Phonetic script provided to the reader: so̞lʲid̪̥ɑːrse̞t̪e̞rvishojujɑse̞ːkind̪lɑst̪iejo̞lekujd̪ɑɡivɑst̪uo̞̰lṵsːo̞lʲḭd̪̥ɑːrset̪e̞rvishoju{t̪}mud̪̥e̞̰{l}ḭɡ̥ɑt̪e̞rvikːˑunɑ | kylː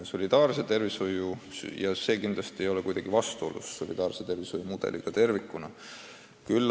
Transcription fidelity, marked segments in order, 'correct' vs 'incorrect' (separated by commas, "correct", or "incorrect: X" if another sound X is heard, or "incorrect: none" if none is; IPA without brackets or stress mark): incorrect: none, correct